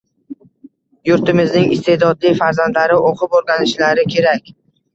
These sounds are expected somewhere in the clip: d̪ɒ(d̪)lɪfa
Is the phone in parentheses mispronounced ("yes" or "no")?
no